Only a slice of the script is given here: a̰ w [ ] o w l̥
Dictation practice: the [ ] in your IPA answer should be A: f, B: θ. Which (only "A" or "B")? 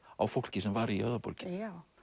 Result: A